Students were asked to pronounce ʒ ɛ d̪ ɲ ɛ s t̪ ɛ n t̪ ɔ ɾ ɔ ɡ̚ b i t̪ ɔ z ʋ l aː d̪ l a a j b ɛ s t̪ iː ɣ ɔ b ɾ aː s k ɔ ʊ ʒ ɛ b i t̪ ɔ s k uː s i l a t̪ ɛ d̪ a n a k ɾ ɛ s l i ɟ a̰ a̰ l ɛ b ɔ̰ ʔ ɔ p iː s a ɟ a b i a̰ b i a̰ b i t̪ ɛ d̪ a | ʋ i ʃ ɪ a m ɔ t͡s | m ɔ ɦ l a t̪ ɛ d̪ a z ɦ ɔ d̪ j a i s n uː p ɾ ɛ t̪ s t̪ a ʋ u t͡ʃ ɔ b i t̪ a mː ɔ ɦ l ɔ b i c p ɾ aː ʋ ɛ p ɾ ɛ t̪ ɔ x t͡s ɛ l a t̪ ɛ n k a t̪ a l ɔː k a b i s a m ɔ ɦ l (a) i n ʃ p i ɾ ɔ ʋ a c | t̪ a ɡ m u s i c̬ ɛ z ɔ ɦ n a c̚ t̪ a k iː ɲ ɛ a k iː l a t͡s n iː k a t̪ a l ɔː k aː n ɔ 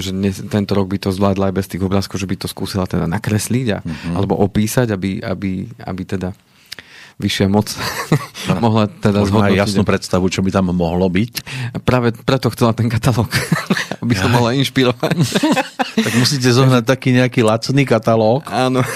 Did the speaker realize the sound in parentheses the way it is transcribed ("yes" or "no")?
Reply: yes